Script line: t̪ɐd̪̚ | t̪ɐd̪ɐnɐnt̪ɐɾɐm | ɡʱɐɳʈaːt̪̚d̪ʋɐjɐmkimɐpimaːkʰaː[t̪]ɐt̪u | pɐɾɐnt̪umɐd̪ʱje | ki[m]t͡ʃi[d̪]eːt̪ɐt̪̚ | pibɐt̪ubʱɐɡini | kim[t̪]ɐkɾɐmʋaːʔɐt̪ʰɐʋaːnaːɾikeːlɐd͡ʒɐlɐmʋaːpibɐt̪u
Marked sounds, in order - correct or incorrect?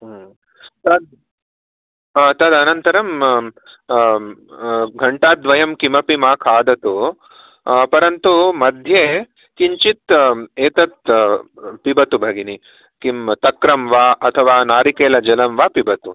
incorrect, incorrect, incorrect, correct

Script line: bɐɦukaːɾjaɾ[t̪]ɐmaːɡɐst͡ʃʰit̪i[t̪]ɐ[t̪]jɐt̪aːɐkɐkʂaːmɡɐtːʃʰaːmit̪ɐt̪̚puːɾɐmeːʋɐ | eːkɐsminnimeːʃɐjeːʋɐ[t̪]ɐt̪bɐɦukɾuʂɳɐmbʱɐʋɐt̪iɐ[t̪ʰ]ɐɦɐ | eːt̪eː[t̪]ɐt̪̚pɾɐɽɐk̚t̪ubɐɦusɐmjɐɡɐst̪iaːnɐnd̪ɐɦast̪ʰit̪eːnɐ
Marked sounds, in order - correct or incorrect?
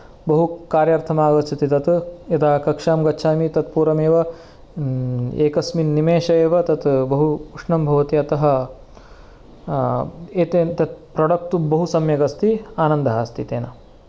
incorrect, correct, correct, correct, incorrect, correct

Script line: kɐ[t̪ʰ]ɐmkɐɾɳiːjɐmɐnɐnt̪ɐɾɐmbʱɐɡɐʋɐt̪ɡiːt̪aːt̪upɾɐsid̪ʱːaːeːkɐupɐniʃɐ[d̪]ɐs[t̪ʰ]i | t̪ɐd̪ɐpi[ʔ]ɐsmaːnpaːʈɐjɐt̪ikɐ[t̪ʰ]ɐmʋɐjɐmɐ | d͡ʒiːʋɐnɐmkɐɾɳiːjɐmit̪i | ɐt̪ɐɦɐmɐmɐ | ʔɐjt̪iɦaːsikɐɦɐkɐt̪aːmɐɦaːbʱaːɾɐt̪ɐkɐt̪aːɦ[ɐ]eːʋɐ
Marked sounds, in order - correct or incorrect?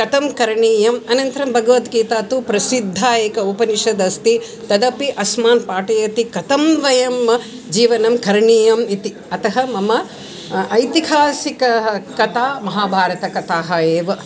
incorrect, correct, incorrect, correct, incorrect, correct

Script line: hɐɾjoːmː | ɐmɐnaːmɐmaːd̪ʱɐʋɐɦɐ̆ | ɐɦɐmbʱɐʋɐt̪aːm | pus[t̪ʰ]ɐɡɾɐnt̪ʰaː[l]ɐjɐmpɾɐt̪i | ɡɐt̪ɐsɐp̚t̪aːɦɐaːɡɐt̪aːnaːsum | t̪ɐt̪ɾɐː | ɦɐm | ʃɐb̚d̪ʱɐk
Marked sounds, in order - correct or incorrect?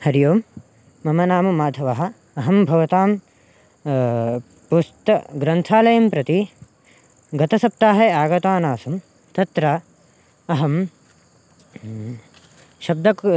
incorrect, correct

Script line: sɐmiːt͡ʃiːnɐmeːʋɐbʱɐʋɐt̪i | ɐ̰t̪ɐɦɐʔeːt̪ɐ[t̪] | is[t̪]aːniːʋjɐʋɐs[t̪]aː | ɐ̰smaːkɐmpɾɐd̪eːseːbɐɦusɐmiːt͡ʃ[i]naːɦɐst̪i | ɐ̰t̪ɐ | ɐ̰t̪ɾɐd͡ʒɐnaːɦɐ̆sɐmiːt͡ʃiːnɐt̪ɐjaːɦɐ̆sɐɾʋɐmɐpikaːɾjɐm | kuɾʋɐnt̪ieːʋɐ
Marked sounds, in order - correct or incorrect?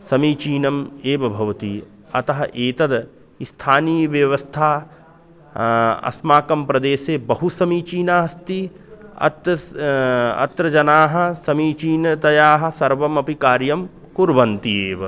incorrect, incorrect, incorrect, incorrect

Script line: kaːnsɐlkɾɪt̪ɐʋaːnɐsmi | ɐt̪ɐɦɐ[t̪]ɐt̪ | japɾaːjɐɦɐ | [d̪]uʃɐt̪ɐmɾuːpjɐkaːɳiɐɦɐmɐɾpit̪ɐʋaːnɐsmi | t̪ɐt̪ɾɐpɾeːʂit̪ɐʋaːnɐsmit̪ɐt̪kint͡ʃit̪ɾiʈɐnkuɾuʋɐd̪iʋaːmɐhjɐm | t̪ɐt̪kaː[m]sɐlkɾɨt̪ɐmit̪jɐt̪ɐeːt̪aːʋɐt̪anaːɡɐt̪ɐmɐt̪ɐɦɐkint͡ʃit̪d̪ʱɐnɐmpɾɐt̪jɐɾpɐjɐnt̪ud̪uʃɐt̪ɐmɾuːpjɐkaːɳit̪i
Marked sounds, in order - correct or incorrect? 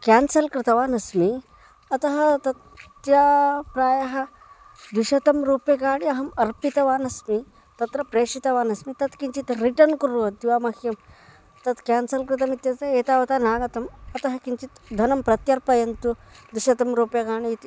correct, correct, incorrect

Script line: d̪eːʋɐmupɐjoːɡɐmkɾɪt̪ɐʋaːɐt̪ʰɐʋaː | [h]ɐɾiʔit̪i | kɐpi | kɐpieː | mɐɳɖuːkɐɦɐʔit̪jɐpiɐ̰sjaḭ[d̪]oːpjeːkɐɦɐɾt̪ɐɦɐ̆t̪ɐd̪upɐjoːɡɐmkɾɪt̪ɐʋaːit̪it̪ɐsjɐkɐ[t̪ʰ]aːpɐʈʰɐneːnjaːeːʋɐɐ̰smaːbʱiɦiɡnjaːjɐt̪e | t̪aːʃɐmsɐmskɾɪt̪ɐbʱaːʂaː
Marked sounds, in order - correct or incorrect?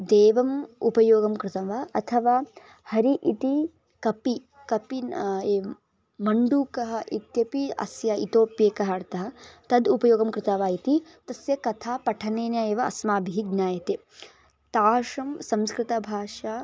correct, incorrect, correct

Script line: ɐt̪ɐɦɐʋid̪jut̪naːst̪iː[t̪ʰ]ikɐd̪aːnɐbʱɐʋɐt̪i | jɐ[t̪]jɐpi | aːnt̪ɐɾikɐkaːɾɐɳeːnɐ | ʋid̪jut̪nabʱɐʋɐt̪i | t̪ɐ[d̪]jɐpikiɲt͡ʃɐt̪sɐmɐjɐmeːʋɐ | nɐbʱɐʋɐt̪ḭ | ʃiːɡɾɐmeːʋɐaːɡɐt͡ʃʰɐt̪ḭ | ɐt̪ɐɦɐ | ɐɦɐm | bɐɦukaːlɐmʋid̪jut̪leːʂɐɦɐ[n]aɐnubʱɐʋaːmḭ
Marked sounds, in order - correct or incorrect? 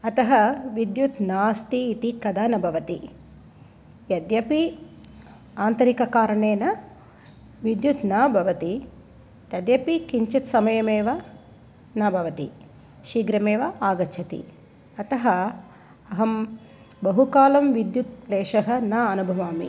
incorrect, incorrect, correct, correct

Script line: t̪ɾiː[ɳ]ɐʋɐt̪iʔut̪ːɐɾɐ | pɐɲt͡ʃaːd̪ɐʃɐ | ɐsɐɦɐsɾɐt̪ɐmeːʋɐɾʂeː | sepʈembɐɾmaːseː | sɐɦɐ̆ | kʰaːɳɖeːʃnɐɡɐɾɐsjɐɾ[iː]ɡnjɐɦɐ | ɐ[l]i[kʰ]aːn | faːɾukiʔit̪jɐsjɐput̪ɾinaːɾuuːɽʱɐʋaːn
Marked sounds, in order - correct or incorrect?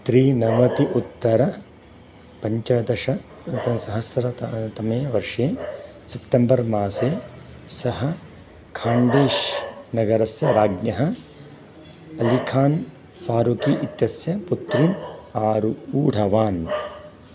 incorrect, incorrect, correct, correct

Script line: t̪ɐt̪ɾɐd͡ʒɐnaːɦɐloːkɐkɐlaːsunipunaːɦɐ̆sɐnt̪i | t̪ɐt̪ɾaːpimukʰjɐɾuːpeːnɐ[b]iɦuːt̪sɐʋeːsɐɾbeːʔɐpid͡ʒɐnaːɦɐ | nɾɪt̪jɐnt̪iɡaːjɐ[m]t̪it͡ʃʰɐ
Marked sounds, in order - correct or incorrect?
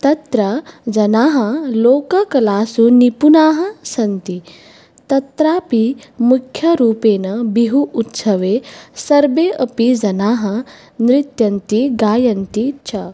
correct, incorrect

